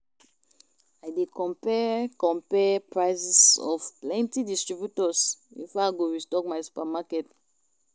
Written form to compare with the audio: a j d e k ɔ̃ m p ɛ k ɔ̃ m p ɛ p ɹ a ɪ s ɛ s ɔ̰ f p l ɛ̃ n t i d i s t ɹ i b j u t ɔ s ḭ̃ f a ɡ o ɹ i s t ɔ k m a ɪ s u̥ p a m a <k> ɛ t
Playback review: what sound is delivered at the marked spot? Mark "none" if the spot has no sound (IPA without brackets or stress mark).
k